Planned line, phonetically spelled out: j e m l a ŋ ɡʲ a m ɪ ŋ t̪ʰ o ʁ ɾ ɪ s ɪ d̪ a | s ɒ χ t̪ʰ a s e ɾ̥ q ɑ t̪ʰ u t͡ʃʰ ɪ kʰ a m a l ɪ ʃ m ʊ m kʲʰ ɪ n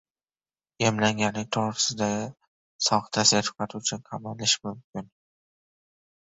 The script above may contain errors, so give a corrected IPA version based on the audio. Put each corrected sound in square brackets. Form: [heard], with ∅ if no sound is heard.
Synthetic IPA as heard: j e m l a ŋ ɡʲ a [n] ɪ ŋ t̪ʰ o ʁ ɾ ɪ s ɪ d̪ a | s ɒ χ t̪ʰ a s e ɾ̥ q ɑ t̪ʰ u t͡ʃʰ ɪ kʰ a m a l ɪ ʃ m ʊ m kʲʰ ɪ n